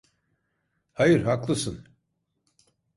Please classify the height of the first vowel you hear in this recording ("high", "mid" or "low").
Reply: low